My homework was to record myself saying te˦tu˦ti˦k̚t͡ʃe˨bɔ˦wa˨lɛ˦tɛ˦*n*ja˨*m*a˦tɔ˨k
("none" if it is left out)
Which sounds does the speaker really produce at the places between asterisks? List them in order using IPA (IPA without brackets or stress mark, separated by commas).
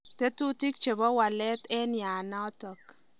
n, n